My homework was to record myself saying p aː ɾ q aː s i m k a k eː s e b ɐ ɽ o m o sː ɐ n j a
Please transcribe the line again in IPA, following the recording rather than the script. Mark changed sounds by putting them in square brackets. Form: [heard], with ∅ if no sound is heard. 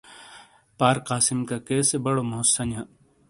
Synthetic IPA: p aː ɾ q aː s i m k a k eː s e b ɐ ɽ o m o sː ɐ n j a